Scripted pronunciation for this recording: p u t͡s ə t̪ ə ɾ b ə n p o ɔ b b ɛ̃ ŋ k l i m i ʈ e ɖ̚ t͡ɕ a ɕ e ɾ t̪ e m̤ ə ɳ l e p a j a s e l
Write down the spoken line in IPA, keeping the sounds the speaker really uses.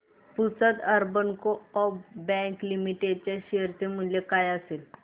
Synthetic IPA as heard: p u t͡s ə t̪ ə ɾ b ə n k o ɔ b b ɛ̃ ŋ k l i m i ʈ e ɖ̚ t͡ɕ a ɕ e ɾ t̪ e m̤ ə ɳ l e k a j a s e l